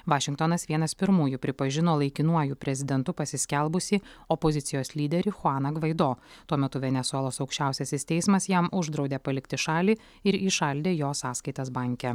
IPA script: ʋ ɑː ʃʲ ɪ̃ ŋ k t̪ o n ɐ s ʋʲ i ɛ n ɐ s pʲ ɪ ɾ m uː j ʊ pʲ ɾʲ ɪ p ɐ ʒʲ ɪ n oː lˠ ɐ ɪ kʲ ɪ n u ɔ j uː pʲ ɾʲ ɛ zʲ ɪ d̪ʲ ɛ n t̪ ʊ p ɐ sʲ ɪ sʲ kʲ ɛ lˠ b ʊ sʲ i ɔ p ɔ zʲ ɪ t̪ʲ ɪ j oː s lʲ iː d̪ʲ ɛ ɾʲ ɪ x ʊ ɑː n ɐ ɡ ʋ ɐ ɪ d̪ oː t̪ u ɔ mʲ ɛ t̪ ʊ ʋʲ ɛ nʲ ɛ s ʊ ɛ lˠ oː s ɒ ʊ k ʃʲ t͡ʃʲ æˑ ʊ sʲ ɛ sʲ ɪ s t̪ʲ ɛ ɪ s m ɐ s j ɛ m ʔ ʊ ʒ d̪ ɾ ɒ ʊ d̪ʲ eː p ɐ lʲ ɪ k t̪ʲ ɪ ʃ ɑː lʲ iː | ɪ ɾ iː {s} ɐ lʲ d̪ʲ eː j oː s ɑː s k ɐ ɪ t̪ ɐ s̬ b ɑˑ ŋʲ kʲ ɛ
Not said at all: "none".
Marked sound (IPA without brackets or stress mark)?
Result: ʃ